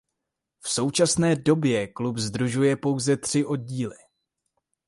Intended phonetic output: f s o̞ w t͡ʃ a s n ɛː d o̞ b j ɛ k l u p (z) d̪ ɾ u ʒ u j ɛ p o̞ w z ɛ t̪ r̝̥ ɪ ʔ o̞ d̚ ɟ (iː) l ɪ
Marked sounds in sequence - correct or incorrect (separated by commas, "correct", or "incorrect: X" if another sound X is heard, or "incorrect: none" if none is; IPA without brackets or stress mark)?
correct, correct